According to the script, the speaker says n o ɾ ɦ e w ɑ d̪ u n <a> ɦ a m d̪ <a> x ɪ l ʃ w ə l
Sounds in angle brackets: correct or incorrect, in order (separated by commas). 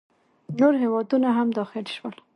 correct, incorrect